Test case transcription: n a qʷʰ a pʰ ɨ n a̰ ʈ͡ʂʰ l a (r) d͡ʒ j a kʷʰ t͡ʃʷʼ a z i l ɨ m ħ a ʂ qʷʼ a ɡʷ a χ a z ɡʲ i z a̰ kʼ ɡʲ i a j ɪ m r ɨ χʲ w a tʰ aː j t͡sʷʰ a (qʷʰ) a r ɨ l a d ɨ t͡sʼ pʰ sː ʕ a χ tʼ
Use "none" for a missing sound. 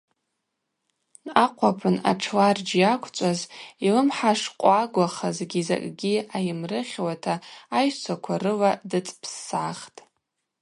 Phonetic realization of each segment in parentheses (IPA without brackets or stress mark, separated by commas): r, kʷʰ